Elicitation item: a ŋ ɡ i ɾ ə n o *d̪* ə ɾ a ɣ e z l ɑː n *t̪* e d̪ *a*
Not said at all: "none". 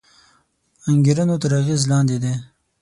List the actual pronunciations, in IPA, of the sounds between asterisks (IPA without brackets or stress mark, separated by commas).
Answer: t̪, d̪, e